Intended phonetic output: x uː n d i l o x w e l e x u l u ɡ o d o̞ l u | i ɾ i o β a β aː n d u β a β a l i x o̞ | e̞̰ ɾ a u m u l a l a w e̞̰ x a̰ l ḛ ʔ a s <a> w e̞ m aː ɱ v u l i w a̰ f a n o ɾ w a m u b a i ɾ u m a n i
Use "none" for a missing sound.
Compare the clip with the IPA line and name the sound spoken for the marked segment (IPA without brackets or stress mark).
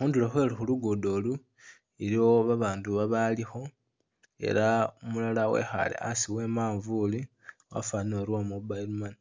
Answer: i